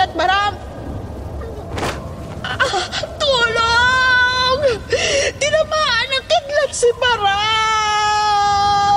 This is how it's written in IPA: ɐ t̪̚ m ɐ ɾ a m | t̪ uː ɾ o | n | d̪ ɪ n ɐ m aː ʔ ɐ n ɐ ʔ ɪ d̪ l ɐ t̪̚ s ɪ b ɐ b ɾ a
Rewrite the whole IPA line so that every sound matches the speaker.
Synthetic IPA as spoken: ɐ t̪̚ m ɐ ɾ a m | t̪ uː l o | ŋ | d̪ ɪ n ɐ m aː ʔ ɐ n ɐ k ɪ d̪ l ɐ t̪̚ s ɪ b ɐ ɾ a